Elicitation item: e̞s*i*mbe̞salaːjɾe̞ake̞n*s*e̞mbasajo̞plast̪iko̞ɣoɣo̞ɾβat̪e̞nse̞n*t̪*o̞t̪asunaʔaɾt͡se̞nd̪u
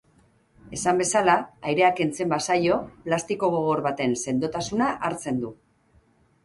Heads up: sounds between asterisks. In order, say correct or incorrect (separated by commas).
incorrect, incorrect, incorrect